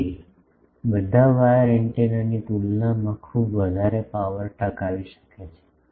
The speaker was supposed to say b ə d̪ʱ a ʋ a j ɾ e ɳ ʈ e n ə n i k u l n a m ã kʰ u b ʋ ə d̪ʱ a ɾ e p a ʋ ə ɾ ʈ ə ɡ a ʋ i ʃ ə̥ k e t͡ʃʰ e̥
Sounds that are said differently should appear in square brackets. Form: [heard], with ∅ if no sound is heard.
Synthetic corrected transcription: b ə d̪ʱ a ʋ a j ɾ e ɳ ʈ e n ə n i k u l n a m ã kʰ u b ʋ ə d̪ʱ a ɾ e p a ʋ ə ɾ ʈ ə [k] a ʋ i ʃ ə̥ k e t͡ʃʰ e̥

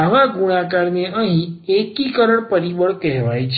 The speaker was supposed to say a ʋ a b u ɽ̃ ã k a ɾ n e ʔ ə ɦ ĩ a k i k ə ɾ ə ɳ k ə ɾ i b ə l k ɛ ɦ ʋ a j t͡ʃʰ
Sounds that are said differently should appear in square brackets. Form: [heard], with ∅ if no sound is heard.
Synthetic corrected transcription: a ʋ a [ɡ] u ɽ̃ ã k a ɾ n e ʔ ə ɦ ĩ [e] k i k ə ɾ ə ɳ [p] ə ɾ i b ə [ɭ] k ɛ ɦ ʋ a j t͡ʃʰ

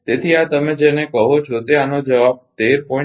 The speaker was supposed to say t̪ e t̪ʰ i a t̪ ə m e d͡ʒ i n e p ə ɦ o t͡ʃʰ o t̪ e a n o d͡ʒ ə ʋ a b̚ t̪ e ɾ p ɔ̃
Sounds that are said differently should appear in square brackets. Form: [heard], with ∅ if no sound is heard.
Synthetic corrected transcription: t̪ e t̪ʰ i a t̪ ə m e d͡ʒ [e] n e [k] ə ɦ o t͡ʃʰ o t̪ e a n o d͡ʒ ə ʋ a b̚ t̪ e ɾ p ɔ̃

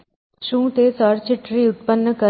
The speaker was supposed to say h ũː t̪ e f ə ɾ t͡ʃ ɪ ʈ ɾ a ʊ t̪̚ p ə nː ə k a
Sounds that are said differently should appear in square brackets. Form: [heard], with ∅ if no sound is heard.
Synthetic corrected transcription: [ʃ] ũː t̪ e [s] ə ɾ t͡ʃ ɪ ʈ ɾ [i] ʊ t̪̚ p ə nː ə k [ə]

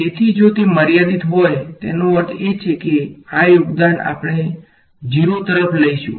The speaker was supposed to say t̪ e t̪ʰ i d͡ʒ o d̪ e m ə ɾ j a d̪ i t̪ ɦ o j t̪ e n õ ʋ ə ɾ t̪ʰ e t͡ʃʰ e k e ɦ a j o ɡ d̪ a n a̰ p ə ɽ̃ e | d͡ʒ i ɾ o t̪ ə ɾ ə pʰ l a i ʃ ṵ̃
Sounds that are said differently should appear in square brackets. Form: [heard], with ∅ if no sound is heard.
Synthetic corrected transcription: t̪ e t̪ʰ i d͡ʒ o [t̪] e m ə ɾ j a d̪ i t̪ ɦ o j t̪ e n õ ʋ ə ɾ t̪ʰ e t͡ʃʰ e k e [∅] a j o ɡ d̪ a n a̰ p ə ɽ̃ e | d͡ʒ i ɾ o t̪ ə ɾ ə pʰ l [ə] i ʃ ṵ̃

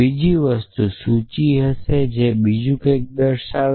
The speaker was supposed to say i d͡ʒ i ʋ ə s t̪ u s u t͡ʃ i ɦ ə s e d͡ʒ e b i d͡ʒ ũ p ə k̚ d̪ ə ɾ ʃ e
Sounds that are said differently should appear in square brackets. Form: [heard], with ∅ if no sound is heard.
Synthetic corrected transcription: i d͡ʒ i ʋ ə s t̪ u s u t͡ʃ i ɦ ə s e d͡ʒ e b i d͡ʒ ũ [k] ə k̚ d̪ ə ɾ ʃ [a]

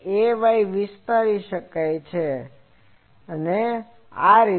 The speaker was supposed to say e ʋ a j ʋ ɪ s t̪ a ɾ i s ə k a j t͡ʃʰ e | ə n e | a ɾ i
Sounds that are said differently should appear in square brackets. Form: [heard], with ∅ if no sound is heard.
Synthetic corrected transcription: e ʋ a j ʋ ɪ s t̪ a ɾ i [ʃ] ə k a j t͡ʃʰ e | ə n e | a ɾ i

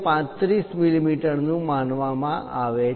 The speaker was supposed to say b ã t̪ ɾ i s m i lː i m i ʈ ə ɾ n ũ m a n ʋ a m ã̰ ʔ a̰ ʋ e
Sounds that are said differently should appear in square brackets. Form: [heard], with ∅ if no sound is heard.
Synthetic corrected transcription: [p] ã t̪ ɾ i s m i [l] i m i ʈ ə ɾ n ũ m a n ʋ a m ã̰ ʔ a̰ ʋ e

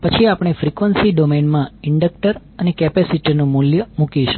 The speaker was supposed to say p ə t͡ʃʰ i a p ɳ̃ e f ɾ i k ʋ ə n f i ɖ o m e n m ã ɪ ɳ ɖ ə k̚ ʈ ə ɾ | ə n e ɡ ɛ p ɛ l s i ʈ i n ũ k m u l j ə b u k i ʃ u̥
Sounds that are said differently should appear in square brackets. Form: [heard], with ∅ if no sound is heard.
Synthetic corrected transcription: p ə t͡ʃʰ i a p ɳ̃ e f ɾ i k ʋ ə n [s] i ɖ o m e n m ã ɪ ɳ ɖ ə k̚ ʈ ə ɾ | ə n e [k] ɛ p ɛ [∅] s i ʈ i n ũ [∅] m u l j ə [m] u k i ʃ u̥

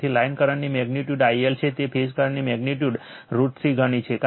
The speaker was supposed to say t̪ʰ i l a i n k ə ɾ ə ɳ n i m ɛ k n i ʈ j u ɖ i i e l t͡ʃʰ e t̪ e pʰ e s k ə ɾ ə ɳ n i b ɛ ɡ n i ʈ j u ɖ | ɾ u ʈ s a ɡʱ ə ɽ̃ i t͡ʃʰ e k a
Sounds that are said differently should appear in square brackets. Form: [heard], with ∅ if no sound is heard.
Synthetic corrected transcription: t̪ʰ i l a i n k ə ɾ ə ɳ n i m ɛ [ɡ] n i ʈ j u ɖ [a] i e l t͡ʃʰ e t̪ e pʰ e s k ə ɾ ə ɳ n i [m] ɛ ɡ n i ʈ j u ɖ | ɾ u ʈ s [i] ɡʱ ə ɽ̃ i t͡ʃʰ e k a

